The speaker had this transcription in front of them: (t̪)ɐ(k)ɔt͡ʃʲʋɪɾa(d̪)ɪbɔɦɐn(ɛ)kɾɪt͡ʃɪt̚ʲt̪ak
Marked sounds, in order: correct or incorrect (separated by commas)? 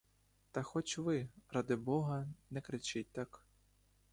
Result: correct, incorrect, correct, correct